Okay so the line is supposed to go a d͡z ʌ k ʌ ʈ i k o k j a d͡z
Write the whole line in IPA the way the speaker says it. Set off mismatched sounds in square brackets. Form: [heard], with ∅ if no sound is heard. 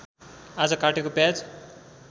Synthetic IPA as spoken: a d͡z ʌ k [a] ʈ [e] k o [p] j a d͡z